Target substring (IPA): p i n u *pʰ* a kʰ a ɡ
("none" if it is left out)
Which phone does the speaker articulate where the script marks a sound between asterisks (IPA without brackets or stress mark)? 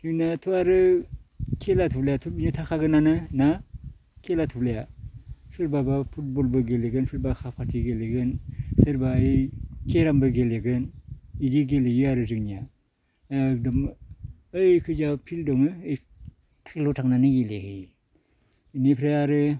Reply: tʰ